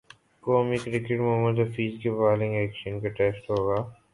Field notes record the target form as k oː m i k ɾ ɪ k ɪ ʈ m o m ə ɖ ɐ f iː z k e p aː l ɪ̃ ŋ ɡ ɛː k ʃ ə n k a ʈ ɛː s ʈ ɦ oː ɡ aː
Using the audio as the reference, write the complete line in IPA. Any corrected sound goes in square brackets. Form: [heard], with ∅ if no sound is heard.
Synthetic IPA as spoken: k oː m i k ɾ ɪ k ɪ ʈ m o m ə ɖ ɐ f iː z k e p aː l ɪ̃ ŋ ɡ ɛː k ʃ ə n k a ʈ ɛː s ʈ ɦ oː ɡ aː